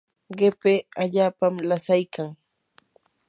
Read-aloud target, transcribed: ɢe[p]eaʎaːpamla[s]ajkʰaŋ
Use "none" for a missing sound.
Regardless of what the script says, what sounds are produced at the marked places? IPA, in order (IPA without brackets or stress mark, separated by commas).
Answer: p, s